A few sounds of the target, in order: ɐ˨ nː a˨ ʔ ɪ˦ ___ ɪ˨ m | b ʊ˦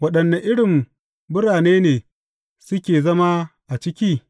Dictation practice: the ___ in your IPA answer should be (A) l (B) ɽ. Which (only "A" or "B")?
B